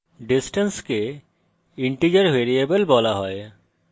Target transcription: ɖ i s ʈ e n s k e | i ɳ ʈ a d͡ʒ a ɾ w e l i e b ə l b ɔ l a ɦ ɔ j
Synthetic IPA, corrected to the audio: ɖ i s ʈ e n s k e | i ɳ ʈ i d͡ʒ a ɾ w e ɾ i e b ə l b ɔ l a ɦ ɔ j